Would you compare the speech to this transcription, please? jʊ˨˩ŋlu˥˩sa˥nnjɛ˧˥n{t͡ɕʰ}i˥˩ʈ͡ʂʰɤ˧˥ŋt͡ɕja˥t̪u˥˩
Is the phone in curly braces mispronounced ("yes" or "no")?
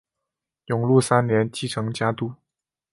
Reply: yes